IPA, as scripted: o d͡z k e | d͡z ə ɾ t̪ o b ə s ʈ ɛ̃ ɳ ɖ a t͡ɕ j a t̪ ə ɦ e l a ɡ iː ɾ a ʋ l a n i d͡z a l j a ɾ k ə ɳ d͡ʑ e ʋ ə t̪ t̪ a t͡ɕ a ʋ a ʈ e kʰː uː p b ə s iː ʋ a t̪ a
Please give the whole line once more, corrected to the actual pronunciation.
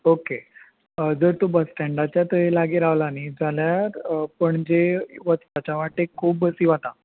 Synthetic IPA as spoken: o k e | d͡z ə ɾ t̪ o b ə s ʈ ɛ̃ ɳ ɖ a t͡ɕ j a t̪ ə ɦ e l a ɡ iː ɾ a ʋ l a n i d͡z a l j a ɾ p ə ɳ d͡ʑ e ʋ ə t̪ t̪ a t͡ɕ a ʋ a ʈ e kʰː uː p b ə s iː ʋ a t̪ a